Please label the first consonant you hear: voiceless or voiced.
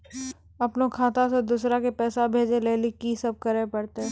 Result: voiceless